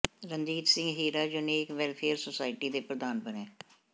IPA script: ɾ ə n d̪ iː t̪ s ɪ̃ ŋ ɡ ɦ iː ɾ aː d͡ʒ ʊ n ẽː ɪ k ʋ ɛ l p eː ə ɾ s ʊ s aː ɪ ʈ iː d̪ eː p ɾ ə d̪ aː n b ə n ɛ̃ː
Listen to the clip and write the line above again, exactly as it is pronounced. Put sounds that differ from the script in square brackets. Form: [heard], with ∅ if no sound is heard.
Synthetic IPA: ɾ ə n d̪ iː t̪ s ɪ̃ ŋ ɡ ɦ iː ɾ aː d͡ʒ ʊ n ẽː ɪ k ʋ ɛ l [pʰ] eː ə ɾ s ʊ s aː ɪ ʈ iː d̪ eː p ɾ ə d̪ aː n b ə n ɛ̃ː